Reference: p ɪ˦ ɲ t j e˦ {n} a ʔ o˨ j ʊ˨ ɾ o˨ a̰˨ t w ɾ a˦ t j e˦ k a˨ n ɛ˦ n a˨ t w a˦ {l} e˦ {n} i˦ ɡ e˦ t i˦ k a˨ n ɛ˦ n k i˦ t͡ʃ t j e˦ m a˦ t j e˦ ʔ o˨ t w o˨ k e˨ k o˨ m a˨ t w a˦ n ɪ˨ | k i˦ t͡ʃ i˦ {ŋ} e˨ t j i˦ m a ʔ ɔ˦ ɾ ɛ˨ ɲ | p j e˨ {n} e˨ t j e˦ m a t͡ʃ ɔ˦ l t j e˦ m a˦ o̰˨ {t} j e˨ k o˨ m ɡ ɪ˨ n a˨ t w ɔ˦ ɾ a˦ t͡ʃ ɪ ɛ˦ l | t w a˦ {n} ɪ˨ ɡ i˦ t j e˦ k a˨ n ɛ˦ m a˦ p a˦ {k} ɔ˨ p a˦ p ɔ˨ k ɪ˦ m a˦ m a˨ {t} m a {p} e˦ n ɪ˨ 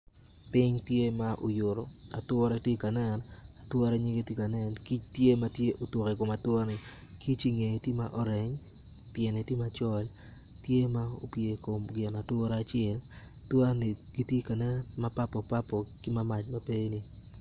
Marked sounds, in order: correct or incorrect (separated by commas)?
incorrect, incorrect, incorrect, correct, correct, incorrect, correct, incorrect, incorrect, correct